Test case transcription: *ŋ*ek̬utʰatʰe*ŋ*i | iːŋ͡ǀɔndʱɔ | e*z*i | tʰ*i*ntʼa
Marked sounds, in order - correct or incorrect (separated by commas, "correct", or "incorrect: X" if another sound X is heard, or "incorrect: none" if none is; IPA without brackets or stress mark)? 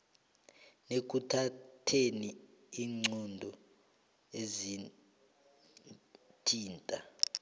incorrect: n, incorrect: n, correct, incorrect: iː